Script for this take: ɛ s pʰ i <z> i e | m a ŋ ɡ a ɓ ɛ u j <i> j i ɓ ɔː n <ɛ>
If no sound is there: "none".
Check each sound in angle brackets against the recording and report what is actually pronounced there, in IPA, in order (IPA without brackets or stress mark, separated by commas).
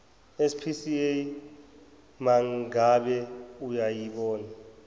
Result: s, a, a